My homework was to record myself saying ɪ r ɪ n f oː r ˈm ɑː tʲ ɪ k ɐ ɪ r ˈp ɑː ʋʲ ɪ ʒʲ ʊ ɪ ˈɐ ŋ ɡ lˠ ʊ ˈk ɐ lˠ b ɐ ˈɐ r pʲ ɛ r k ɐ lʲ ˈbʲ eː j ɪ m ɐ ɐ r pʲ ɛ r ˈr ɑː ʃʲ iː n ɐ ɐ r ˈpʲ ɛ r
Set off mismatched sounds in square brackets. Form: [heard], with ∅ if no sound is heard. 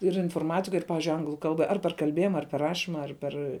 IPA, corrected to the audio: ɪ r ɪ n f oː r ˈm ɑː tʲ ɪ k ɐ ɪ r ˈp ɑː ʋʲ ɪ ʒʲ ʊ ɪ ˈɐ ŋ ɡ lˠ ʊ ˈk ɐ lˠ b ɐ ˈɐ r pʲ ɛ r k ɐ lʲ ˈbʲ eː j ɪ m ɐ ɐ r pʲ ɛ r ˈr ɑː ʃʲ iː [m] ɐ ɐ r ˈpʲ ɛ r